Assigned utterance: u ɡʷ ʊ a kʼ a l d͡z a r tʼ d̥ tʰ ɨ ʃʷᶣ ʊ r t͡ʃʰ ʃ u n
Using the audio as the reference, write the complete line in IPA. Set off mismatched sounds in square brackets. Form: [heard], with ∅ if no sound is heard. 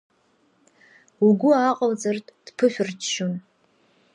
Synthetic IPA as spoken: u ɡʷ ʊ a [qʼ] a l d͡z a r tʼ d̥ [pʰ] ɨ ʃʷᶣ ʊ r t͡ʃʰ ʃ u n